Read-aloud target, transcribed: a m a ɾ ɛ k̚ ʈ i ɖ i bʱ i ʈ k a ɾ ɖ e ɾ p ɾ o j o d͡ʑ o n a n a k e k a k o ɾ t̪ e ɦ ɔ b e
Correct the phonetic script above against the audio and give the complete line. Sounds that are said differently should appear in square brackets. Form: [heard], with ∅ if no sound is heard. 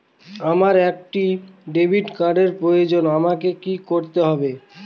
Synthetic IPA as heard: a m a ɾ ɛ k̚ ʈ i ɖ [e] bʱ i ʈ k a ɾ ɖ e ɾ p ɾ o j o d͡ʑ o n a [m] a k e k [i] k o ɾ t̪ e ɦ ɔ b e